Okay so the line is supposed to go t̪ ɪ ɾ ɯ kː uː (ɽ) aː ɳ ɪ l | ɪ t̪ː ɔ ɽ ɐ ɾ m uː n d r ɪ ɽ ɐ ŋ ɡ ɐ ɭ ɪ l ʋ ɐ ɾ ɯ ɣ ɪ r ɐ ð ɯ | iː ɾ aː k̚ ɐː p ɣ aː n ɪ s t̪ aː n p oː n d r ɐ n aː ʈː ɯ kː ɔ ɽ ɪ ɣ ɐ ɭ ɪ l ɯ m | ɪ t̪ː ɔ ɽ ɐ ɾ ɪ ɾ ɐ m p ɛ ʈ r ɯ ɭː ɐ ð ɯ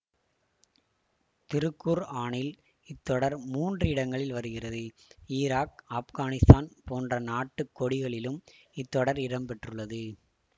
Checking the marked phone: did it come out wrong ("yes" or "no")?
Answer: yes